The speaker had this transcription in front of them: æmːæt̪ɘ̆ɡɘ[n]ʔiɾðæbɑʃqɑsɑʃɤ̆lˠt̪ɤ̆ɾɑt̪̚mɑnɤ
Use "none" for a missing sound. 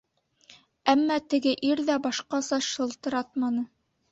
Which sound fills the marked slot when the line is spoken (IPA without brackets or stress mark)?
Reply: none